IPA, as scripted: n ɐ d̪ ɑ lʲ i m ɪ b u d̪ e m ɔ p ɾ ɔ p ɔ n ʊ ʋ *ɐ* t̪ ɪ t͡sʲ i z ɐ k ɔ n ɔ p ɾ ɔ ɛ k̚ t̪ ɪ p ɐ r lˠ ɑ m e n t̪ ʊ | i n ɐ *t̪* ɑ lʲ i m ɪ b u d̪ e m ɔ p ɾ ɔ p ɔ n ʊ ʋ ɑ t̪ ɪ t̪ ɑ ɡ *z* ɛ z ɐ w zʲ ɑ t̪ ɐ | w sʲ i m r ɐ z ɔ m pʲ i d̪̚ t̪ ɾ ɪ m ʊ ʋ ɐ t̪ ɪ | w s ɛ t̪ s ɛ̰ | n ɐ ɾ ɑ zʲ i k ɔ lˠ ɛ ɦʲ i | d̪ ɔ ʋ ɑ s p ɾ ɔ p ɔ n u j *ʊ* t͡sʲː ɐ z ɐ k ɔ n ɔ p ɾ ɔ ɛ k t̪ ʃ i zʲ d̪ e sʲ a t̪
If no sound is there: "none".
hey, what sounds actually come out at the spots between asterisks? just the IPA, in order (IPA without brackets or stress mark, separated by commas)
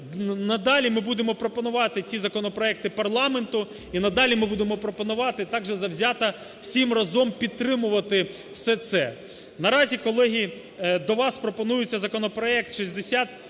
ɑ, d̪, ʒ, ʊ